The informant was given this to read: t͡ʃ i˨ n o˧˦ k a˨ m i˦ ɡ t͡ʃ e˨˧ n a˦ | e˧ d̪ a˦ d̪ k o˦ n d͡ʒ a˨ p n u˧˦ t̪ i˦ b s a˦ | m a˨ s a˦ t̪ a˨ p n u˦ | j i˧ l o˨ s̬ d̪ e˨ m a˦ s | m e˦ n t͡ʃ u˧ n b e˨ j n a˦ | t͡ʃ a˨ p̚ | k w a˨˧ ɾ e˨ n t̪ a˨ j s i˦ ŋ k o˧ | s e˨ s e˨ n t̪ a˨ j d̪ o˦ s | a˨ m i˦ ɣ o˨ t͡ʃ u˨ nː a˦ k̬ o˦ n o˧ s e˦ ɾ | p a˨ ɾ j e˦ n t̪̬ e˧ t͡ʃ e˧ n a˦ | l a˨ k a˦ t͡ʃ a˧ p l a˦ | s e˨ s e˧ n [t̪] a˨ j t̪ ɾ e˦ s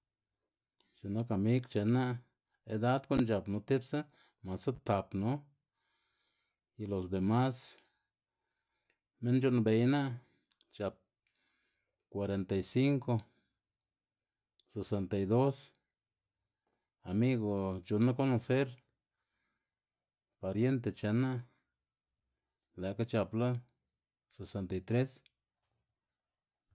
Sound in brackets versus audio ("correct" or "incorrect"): correct